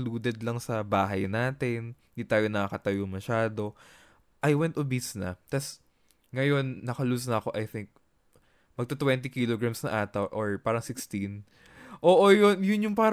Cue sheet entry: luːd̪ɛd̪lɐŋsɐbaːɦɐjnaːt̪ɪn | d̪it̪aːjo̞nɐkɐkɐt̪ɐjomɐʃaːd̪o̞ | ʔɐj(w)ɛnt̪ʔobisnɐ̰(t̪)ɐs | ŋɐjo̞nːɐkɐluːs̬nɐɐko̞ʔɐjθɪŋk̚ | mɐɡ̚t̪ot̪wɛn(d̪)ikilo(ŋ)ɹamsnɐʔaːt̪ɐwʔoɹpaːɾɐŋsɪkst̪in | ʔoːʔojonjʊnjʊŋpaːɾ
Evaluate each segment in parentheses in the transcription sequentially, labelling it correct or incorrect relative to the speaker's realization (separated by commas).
correct, correct, incorrect, incorrect